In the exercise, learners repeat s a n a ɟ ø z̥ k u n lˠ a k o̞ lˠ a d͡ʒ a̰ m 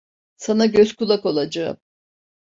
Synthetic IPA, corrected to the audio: s a n a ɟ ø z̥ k u lˠ a k o̞ lˠ a d͡ʒ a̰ m